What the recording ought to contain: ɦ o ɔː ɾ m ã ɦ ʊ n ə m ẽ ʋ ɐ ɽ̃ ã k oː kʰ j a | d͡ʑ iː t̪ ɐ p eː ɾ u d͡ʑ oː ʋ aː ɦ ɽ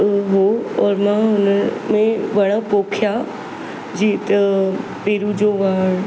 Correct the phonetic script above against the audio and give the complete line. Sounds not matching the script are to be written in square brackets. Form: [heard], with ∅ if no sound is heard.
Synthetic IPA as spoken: ɦ o ɔː ɾ m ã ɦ ʊ n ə m ẽ ʋ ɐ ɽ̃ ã [p] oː kʰ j a | d͡ʑ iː t̪ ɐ p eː ɾ u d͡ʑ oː ʋ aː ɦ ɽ